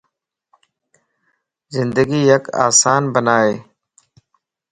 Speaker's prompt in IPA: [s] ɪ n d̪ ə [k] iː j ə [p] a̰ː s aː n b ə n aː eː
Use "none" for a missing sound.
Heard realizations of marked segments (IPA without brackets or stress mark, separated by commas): z, ɡ, k